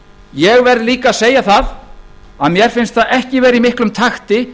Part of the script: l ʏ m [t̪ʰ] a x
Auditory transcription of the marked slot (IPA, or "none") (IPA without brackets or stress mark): t̪ʰ